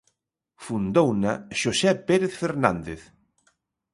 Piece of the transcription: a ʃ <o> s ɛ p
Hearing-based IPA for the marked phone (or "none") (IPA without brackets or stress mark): o